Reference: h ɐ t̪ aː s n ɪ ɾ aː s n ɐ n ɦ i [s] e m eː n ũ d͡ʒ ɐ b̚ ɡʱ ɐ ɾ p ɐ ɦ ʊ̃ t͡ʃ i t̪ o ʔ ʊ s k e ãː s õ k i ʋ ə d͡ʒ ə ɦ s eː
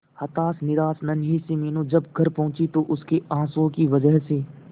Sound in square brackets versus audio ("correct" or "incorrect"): correct